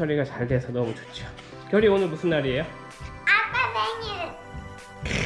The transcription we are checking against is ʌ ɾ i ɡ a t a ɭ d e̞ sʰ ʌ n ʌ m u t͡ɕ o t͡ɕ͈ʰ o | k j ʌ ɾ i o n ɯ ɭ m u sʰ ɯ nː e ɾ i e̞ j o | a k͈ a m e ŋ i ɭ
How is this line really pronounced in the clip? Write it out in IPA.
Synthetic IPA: ʌ ɾ i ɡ a t͡ɕ a ɭ d e̞ sʰ ʌ n ʌ m u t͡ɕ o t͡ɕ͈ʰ o | k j ʌ ɾ i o n ɯ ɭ m u sʰ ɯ nː a ɾ i e̞ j o | a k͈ a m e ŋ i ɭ

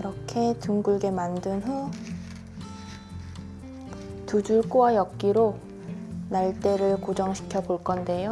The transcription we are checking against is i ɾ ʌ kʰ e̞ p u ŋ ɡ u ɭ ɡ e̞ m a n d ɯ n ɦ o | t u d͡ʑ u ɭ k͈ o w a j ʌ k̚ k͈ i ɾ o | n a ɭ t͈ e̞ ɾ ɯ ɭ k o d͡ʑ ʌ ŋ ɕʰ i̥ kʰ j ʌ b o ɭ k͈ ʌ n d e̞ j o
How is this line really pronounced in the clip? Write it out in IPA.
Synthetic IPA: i ɾ ʌ kʰ e̞ t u ŋ ɡ u ɭ ɡ e̞ m a n d ɯ n ɦ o | t u d͡ʑ u ɭ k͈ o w a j ʌ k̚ k͈ i ɾ o | n a ɭ t͈ e̞ ɾ ɯ ɭ k o d͡ʑ ʌ ŋ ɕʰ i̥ kʰ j ʌ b o ɭ k͈ ʌ n d e̞ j o

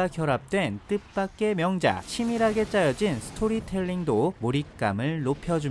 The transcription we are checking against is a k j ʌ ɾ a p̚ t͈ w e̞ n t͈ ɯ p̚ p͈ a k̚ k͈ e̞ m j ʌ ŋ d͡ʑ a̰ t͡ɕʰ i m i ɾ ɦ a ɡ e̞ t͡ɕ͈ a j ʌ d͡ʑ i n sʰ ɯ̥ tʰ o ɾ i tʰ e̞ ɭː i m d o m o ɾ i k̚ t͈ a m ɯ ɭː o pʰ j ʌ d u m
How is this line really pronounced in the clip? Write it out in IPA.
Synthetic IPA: a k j ʌ ɾ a p̚ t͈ w e̞ n t͈ ɯ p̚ p͈ a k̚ k͈ e̞ m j ʌ ŋ d͡ʑ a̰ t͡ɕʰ i m i ɾ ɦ a ɡ e̞ t͡ɕ͈ a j ʌ d͡ʑ i n sʰ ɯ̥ tʰ o ɾ i tʰ e̞ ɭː i ŋ d o m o ɾ i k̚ k͈ a m ɯ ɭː o pʰ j ʌ d͡ʑ u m

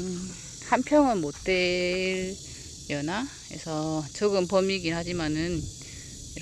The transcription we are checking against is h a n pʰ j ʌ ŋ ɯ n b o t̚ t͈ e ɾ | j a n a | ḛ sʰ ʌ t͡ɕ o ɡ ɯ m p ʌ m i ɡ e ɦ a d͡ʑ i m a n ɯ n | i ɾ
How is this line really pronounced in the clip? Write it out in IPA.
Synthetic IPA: h a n pʰ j ʌ ŋ ɯ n m o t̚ t͈ e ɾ | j ʌ n a | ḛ sʰ ʌ t͡ɕ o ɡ ɯ m p ʌ m i ɡ i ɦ a d͡ʑ i m a n ɯ n | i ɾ

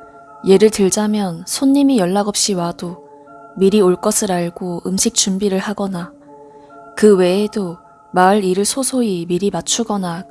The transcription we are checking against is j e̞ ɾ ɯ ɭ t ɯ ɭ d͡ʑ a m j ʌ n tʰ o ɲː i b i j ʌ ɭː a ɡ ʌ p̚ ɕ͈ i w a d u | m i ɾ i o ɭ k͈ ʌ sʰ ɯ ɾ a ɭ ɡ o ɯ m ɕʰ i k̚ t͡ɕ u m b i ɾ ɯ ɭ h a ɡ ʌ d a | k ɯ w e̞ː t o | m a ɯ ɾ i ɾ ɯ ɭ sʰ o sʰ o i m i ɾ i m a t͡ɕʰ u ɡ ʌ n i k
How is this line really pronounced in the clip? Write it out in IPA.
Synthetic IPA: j e̞ ɾ ɯ ɭ t ɯ ɭ d͡ʑ a m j ʌ n sʰ o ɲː i m i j ʌ ɭː a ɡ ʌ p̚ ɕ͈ i w a d o | m i ɾ i o ɭ k͈ ʌ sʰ ɯ ɾ a ɭ ɡ o ɯ m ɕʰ i k̚ t͡ɕ u m b i ɾ ɯ ɭ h a ɡ ʌ n a | k ɯ w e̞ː d o | m a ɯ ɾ i ɾ ɯ ɭ sʰ o sʰ o i m i ɾ i m a t͡ɕʰ u ɡ ʌ n a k

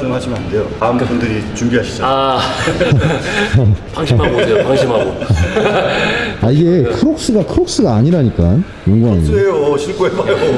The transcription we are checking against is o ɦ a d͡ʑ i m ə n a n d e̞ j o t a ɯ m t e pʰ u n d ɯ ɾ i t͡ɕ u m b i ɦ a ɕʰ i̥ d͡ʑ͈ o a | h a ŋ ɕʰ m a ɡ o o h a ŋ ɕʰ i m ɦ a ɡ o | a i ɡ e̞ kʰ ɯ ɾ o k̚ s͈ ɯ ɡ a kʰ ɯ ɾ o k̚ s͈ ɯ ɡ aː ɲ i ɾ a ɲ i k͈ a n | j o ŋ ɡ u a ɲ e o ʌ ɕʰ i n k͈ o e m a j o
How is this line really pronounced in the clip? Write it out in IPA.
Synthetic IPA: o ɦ a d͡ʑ i m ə n a n d e̞ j o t a ɯ m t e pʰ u n d ɯ ɾ i t͡ɕ u m b i ɦ a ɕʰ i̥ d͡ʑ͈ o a | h a ŋ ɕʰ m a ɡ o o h a ŋ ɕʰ i m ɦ a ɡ o | a i ɡ e̞ kʰ ɯ ɾ o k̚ s͈ ɯ ɡ a kʰ ɯ ɾ o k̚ s͈ ɯ ɡ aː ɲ i ɾ a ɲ i k͈ a n | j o ŋ ɡ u a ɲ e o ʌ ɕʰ i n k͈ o e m a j o

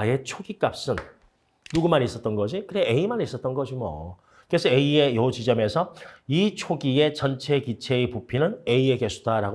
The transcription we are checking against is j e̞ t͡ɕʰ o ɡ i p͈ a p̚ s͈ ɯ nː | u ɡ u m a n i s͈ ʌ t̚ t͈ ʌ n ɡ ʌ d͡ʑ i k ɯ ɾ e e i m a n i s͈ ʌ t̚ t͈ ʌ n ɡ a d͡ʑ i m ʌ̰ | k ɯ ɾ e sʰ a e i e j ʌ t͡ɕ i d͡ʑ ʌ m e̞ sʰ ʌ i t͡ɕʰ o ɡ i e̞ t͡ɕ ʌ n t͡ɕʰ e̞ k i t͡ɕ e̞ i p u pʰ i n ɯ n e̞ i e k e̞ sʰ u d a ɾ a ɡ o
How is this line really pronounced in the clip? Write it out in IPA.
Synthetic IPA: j e̞ t͡ɕʰ o ɡ i k͈ a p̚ s͈ ɯ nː | u ɡ u m a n i s͈ ʌ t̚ t͈ ʌ n ɡ ʌ d͡ʑ i k ɯ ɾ e e i m a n i s͈ ʌ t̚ t͈ ʌ n ɡ ʌ d͡ʑ i m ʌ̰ | k ɯ ɾ e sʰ ʌ e i e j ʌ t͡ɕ i d͡ʑ ʌ m e̞ sʰ ʌ i t͡ɕʰ o ɡ i e̞ t͡ɕ ʌ n t͡ɕʰ e̞ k i t͡ɕʰ e̞ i p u pʰ i n ɯ n e̞ i e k e̞ sʰ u d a ɾ a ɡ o

